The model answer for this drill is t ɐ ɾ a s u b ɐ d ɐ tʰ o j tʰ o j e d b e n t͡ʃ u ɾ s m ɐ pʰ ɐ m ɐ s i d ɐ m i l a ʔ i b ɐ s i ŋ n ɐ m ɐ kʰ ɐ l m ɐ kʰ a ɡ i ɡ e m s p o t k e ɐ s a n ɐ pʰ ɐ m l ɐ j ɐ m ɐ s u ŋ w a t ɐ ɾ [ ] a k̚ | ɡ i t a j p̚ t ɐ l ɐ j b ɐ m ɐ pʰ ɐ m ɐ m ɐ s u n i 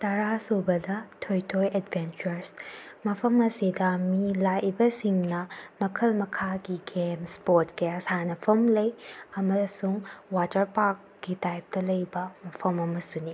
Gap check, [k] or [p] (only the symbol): p